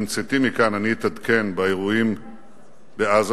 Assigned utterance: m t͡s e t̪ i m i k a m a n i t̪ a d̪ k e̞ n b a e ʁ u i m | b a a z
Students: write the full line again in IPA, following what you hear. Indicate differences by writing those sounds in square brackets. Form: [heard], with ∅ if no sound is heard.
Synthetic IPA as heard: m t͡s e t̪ i m i k a [n] a n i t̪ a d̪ k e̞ n b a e ʁ u i m | b [e] a z